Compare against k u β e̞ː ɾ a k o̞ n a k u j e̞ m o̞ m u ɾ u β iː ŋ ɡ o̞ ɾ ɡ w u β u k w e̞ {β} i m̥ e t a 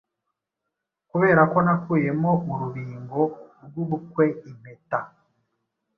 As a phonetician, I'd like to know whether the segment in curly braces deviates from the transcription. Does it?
yes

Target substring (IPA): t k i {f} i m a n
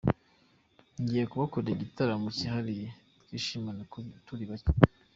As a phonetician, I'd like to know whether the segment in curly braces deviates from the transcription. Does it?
yes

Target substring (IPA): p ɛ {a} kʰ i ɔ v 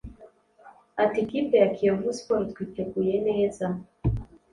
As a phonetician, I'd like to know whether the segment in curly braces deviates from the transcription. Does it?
no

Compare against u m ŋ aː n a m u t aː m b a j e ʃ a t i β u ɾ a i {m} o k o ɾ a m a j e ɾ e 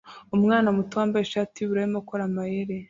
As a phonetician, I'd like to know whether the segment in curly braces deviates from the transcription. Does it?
no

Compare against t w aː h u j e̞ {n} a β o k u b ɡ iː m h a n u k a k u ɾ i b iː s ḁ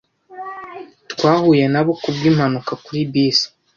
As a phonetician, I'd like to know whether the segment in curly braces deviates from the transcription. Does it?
no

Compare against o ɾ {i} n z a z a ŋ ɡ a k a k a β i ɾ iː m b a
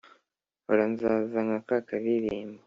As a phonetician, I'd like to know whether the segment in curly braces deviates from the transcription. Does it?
yes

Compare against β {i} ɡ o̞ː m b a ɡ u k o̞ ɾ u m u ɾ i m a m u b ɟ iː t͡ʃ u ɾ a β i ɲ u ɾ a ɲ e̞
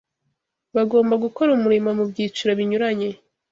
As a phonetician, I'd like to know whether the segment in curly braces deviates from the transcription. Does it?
yes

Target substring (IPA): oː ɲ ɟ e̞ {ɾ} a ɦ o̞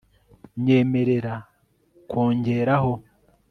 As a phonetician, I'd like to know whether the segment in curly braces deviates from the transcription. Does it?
no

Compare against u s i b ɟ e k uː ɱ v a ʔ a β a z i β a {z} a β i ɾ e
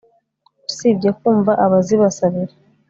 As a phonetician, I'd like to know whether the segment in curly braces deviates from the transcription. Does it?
yes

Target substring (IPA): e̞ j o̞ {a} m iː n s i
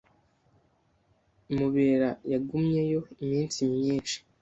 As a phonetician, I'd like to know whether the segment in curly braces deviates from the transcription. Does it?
yes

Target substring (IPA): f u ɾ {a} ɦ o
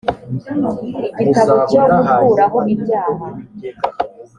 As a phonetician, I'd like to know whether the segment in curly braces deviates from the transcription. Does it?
no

